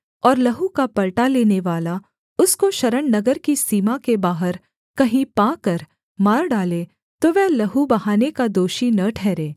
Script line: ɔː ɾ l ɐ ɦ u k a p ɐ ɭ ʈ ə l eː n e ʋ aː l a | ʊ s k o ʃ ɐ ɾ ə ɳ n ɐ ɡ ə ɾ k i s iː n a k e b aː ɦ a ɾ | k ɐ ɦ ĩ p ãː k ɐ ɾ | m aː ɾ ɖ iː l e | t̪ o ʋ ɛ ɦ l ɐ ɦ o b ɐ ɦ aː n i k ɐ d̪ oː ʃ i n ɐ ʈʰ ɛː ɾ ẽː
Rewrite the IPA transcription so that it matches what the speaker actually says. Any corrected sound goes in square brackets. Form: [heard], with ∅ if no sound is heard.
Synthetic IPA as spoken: ɔː ɾ l ɐ ɦ u k a p ɐ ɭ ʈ [a] l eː n e ʋ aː l a | ʊ s k o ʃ ɐ ɾ ə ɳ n ɐ ɡ ə ɾ k i s iː [m] a k e b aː ɦ [ə] ɾ | k ɐ ɦ ĩ p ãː k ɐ ɾ | m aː ɾ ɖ [aː] l e | t̪ o ʋ ɛ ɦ l ɐ ɦ [u] b ɐ ɦ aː n [e] k [a] d̪ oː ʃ i n ɐ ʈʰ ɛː ɾ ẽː